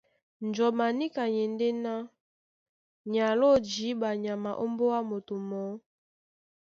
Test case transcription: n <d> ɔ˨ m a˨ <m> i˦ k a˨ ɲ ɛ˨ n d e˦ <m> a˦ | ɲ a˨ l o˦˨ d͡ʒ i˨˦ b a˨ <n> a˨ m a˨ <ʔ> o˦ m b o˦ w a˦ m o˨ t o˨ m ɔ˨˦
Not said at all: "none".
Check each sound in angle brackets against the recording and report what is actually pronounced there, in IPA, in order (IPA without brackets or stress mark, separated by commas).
d͡ʒ, n, n, ɲ, ʔ